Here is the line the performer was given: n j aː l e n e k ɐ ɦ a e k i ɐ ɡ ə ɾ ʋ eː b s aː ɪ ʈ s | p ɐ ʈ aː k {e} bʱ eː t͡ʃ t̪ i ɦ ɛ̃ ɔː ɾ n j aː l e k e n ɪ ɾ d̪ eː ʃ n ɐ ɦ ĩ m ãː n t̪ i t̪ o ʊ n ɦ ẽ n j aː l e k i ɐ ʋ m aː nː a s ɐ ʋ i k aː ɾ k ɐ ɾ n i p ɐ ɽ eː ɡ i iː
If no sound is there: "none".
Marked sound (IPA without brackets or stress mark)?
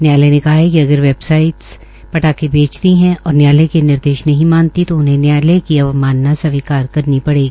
e